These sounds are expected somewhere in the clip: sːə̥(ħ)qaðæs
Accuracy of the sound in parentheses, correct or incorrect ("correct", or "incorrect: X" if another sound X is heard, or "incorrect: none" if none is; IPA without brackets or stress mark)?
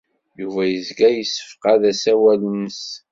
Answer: incorrect: f